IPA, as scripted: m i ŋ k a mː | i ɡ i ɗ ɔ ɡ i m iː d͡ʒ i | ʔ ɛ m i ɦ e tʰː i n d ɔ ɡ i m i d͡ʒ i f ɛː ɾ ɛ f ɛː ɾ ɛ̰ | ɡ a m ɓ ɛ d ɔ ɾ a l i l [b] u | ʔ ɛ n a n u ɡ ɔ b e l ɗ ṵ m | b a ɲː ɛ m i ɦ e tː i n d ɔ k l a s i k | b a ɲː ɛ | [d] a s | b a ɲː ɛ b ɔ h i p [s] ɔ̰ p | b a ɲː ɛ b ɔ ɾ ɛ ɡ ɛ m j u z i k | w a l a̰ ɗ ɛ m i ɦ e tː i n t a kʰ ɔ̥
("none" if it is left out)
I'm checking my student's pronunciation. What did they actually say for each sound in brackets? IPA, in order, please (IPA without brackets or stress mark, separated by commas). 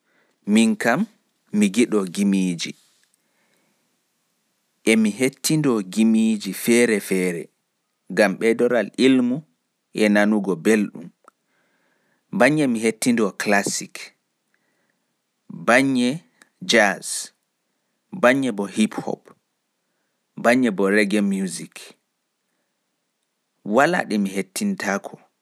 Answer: m, d͡ʒ, h